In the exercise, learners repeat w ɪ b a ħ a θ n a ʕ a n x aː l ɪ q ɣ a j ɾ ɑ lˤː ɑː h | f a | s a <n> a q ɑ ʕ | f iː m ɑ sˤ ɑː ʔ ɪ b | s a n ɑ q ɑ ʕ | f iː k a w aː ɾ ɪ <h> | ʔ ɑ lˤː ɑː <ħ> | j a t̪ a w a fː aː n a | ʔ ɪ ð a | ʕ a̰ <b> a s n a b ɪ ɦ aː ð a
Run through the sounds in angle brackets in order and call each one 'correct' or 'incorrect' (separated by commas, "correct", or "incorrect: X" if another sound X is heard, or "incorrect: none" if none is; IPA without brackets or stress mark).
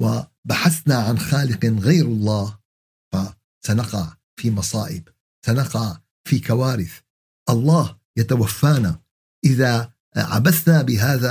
correct, incorrect: θ, incorrect: h, correct